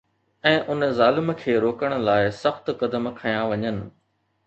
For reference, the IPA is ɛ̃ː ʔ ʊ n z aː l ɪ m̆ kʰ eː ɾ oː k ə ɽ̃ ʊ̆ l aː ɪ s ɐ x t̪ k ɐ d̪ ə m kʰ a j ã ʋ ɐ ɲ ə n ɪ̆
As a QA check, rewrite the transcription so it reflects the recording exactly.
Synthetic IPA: ɛ̃ː ʔ ʊ n z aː l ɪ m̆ kʰ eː ɾ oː k ə ɽ̃ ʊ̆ l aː ɪ s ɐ x t̪ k ɐ d̪ ə m kʰ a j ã ʋ ɐ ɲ ə n ɪ̆